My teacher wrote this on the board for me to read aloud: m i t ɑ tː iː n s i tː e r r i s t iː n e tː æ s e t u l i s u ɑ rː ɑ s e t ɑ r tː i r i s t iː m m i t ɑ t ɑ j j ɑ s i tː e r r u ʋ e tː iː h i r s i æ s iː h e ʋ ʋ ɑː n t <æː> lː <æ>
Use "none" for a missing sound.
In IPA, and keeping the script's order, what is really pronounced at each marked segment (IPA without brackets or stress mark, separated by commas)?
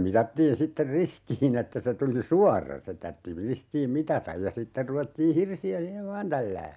æ, æː